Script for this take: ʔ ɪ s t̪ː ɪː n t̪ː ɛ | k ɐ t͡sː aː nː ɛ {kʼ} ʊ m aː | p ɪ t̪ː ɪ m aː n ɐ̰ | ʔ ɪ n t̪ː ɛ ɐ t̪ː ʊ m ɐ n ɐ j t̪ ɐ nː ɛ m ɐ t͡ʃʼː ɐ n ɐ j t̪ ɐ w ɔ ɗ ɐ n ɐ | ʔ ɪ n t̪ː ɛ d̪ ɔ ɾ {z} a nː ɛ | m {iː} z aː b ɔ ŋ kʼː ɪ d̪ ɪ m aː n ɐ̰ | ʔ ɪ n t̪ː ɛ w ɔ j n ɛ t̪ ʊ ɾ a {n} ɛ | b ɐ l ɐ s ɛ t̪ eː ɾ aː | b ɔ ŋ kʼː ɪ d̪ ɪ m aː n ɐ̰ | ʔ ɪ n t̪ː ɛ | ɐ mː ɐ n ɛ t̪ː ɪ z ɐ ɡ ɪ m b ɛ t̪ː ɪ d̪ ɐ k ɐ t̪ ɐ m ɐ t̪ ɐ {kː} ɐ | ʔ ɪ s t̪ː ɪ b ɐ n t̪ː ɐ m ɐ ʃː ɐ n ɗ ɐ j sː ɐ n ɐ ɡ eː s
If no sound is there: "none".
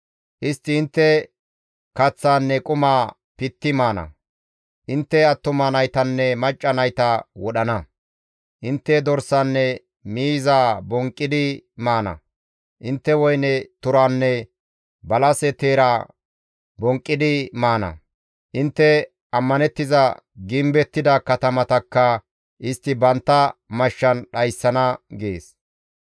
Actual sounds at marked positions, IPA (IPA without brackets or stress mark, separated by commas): kʼ, s, iː, nː, kː